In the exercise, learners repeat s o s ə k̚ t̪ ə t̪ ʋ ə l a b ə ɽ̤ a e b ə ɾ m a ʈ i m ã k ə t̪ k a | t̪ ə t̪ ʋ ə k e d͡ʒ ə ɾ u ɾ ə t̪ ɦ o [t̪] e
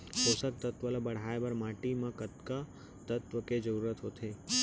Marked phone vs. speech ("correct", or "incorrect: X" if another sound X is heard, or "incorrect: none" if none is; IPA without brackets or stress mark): incorrect: t̪ʰ